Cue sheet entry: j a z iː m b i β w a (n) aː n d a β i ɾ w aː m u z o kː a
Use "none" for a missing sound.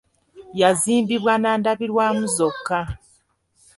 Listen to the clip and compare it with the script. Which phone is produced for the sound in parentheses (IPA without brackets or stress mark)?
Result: n